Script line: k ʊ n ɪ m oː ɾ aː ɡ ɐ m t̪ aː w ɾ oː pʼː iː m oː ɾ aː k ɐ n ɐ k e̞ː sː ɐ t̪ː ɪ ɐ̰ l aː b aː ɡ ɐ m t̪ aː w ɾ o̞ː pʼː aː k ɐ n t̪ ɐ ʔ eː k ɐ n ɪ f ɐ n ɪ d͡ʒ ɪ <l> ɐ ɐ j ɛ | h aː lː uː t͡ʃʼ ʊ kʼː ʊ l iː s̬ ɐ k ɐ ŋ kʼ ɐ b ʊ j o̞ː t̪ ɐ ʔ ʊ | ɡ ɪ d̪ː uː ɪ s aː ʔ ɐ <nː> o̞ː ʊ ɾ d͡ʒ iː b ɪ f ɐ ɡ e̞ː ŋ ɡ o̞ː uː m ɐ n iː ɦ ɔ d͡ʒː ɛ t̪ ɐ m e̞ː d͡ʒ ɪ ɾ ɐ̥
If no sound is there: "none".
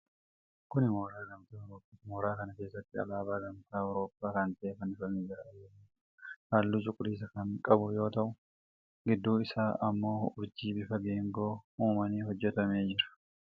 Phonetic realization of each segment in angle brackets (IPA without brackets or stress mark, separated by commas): ɾ, mː